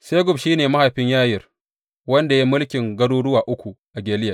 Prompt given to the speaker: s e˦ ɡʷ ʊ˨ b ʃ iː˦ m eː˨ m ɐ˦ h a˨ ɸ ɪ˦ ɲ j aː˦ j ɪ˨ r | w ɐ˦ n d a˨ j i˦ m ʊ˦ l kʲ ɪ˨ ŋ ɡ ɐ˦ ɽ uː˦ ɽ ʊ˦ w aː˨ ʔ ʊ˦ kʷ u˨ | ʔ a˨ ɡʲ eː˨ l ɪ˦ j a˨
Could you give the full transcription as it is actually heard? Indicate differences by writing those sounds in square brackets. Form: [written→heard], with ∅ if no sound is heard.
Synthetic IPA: s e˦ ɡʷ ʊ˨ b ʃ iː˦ [m→n] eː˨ m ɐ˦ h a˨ ɸ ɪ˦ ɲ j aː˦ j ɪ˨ r | w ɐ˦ n d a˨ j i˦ m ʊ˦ l kʲ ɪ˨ ŋ ɡ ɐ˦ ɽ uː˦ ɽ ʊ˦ w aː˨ ʔ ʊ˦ kʷ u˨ | ʔ a˨ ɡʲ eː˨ l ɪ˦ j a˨